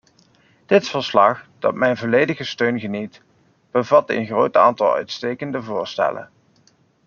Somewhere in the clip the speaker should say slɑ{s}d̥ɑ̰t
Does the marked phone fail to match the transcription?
yes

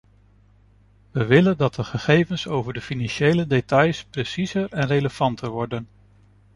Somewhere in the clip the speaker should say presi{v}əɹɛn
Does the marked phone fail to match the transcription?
yes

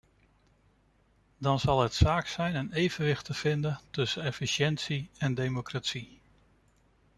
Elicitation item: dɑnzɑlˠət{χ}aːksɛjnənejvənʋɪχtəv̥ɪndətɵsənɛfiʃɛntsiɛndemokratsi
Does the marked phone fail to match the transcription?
yes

